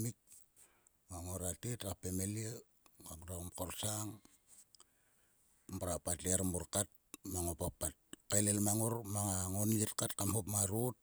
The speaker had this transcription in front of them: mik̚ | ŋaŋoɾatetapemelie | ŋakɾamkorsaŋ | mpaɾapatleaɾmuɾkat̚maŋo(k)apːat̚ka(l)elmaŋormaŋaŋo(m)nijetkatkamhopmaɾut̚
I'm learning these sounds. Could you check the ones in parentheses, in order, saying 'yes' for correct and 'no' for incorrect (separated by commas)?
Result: no, yes, no